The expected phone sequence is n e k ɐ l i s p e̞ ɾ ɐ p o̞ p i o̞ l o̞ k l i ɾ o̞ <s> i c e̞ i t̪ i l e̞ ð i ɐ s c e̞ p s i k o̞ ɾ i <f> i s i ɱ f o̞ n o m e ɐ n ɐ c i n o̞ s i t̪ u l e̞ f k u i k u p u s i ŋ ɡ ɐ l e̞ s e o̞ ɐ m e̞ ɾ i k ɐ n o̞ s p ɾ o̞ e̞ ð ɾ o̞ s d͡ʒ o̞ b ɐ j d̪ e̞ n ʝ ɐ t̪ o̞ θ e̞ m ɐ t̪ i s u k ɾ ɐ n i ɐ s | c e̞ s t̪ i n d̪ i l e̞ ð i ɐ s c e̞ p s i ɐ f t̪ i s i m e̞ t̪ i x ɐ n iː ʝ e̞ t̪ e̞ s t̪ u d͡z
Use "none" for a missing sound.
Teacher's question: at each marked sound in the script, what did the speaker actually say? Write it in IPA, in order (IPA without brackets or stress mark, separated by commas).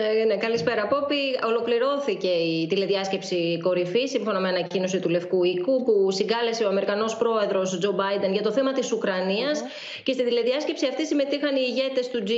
θ, f